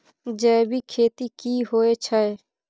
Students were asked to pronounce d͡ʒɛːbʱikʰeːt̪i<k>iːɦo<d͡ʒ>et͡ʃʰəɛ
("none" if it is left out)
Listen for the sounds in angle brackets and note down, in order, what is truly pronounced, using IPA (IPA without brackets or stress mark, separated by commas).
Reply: k, none